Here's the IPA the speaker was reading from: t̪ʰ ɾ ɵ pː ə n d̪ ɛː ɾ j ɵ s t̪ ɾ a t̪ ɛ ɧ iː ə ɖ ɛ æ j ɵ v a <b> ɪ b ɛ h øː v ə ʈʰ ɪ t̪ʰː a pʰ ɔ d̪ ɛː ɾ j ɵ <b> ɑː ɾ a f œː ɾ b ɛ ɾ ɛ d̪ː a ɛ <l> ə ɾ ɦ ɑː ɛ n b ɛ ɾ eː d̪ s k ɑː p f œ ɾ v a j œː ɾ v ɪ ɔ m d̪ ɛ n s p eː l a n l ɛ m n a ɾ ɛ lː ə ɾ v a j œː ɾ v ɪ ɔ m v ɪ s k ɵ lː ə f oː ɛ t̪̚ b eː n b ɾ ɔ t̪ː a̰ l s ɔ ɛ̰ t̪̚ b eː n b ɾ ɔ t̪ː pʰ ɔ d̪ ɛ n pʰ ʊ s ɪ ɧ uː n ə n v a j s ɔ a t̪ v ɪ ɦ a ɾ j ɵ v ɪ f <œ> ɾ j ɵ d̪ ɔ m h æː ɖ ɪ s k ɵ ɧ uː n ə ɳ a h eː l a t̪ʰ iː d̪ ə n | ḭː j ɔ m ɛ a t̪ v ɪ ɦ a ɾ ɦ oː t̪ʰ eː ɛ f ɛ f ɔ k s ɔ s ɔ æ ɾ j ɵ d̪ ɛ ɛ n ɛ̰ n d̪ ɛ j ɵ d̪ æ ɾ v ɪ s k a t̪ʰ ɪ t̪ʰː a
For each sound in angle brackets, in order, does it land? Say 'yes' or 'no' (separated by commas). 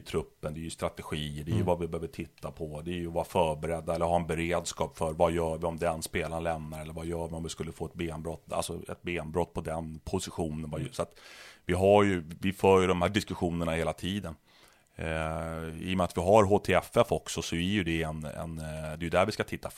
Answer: no, no, no, no